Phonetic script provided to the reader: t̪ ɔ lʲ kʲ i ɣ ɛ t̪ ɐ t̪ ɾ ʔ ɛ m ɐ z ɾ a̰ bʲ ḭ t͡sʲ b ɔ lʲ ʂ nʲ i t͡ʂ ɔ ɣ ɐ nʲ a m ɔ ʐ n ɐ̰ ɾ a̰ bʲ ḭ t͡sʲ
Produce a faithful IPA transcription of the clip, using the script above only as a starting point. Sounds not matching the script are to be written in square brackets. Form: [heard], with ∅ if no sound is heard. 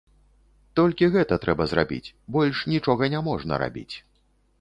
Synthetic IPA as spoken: t̪ ɔ lʲ kʲ i ɣ ɛ t̪ ɐ t̪ ɾ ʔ ɛ [b] ɐ z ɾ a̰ bʲ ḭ t͡sʲ b ɔ lʲ ʂ nʲ i t͡ʂ ɔ ɣ ɐ nʲ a m ɔ ʐ n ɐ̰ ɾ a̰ bʲ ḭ t͡sʲ